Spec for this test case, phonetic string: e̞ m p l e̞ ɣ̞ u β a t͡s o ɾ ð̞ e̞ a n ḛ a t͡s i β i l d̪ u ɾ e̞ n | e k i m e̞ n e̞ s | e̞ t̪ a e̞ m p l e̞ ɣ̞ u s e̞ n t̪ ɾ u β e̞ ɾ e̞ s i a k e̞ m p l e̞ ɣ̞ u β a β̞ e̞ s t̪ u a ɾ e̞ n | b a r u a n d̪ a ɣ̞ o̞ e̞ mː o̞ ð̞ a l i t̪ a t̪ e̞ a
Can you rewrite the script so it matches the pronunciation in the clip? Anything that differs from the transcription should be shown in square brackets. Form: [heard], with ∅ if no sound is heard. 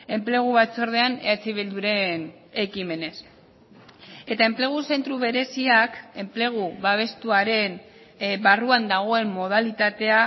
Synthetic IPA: e̞ m p l e̞ ɣ̞ u β a t͡s o ɾ ð̞ e̞ a n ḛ a t͡s i β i l d̪ u ɾ e̞ n | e k i m e̞ n e̞ s | e̞ t̪ a e̞ m p l e̞ ɣ̞ u s e̞ n t̪ ɾ u β e̞ ɾ e̞ s i a k e̞ m p l e̞ ɣ̞ u β a β̞ e̞ s t̪ u a ɾ e̞ n | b a r u a n d̪ a ɣ̞ o̞ e̞ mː o̞ ð̞ a l i t̪ a t̪ e̞ a